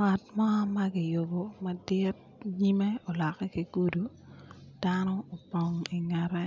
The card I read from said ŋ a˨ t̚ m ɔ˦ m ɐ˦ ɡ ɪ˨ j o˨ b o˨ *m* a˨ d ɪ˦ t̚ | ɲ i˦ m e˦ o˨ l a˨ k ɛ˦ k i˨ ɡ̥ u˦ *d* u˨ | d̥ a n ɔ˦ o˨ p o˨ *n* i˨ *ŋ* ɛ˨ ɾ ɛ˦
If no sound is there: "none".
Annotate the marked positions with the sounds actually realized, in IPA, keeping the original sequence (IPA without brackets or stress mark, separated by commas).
m, d, ŋ, ŋ